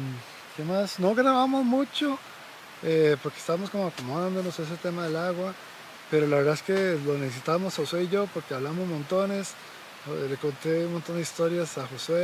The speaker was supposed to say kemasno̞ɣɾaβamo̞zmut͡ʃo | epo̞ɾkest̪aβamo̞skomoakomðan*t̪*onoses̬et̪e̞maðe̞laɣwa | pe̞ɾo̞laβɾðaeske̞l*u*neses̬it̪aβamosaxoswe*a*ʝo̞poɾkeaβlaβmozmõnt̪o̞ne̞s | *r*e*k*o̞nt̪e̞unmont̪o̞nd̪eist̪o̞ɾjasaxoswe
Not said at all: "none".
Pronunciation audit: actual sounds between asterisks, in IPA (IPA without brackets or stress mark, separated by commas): d̪, o, i, l, k